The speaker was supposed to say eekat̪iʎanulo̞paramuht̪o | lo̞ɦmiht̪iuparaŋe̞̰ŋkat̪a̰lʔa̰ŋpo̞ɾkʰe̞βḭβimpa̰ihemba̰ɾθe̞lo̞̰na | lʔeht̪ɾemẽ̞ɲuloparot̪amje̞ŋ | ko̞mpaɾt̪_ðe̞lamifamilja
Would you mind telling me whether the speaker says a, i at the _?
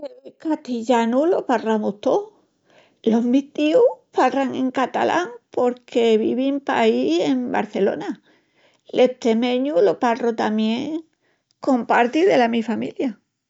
i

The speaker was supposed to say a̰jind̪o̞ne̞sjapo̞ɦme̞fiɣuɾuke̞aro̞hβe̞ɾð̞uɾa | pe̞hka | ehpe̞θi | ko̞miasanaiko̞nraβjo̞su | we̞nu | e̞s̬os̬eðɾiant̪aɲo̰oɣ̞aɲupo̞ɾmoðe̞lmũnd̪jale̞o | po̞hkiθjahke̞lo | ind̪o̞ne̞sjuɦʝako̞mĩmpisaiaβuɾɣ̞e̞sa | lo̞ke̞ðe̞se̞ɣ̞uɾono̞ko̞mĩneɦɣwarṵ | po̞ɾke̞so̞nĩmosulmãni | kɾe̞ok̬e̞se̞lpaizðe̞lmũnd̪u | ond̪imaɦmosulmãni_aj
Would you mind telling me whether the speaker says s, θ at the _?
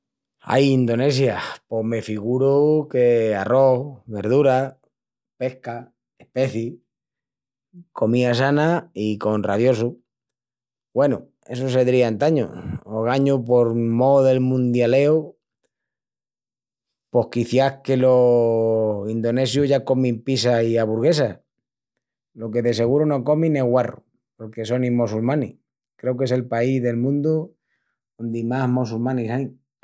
s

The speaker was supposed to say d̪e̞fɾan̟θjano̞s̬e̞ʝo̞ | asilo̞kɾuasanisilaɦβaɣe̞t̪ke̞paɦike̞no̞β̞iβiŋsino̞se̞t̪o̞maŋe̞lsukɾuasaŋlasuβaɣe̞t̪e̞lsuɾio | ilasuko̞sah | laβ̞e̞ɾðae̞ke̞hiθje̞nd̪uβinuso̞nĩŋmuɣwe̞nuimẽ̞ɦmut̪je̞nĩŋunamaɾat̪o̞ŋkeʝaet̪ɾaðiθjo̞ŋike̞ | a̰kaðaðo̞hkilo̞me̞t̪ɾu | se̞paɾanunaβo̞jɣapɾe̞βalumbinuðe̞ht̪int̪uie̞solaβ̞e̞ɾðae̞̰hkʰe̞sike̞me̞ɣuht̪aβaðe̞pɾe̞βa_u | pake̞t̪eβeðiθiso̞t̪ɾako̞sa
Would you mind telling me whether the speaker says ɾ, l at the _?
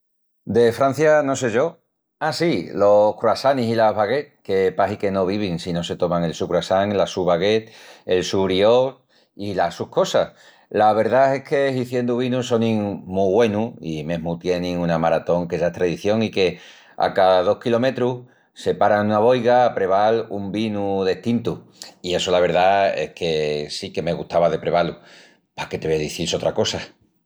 l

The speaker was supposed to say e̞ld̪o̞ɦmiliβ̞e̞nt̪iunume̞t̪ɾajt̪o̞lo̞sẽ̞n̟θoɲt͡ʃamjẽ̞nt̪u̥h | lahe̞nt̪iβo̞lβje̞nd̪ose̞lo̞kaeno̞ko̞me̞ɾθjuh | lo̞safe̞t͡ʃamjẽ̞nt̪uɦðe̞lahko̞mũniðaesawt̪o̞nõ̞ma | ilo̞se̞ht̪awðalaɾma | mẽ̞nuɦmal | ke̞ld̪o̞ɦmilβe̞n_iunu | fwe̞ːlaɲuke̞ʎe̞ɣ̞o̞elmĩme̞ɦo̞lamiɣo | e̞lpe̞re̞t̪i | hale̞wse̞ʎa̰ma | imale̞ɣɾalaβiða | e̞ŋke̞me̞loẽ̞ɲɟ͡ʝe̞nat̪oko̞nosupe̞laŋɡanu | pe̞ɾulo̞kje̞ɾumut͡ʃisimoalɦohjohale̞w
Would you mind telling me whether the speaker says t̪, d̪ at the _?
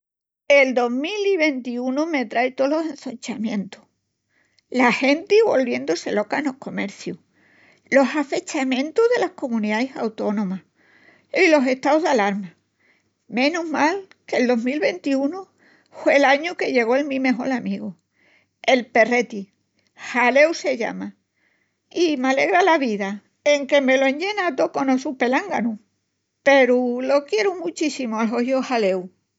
t̪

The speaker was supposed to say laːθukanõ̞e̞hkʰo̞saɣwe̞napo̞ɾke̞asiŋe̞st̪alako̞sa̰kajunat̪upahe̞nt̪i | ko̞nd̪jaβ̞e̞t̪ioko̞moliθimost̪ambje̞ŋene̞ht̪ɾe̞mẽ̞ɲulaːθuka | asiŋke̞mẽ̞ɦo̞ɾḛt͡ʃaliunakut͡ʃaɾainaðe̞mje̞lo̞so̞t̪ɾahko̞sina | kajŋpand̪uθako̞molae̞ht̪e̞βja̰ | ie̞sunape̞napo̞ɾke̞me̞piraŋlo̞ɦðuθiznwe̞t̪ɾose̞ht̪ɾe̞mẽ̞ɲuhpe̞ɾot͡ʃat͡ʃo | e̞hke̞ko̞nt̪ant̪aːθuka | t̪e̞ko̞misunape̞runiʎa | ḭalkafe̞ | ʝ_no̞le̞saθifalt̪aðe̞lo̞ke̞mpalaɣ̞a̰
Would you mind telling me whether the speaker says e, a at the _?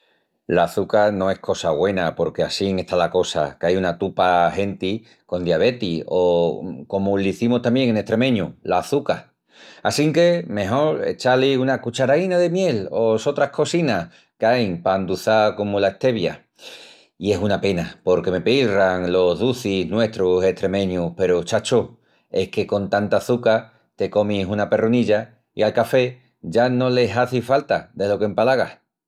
a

